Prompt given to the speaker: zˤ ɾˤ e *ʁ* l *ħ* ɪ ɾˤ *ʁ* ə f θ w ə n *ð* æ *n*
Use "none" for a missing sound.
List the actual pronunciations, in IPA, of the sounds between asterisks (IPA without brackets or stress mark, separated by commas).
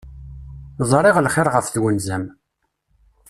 ʁ, χ, ʁ, z, m